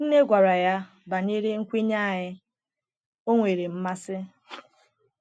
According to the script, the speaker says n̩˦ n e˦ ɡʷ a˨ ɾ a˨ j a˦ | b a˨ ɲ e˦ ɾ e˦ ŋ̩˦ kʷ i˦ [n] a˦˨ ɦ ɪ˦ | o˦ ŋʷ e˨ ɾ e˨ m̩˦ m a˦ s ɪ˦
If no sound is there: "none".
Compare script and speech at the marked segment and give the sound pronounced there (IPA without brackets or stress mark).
ɲ